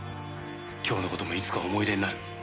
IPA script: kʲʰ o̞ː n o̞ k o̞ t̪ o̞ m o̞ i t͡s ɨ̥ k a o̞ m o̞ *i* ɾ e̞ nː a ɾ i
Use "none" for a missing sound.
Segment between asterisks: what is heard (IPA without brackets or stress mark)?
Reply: i